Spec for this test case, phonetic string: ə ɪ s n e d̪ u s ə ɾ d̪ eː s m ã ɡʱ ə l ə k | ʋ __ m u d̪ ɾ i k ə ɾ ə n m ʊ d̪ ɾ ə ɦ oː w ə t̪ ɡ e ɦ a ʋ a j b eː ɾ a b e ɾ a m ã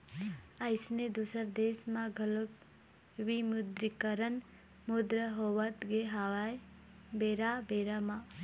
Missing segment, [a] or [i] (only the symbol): i